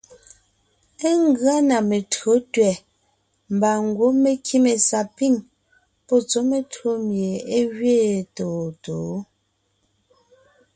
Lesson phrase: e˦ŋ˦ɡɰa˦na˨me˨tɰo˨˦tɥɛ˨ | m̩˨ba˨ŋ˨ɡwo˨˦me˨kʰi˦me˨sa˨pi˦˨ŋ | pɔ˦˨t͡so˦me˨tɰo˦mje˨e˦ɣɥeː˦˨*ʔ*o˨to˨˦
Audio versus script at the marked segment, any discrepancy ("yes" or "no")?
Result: yes